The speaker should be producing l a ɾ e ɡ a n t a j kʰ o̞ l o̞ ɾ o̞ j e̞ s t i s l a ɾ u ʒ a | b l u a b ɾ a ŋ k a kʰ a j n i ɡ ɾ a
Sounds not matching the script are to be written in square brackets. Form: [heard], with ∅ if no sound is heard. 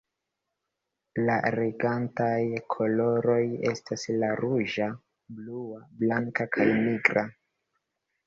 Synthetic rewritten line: l a ɾ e ɡ a n t a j kʰ o̞ l o̞ ɾ o̞ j e̞ s t [a] s l a ɾ u ʒ a | b l u a b [l] a ŋ k a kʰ a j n i ɡ ɾ a